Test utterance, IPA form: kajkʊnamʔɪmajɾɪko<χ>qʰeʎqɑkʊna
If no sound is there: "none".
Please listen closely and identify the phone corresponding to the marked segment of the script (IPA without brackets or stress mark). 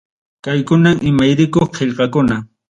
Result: χ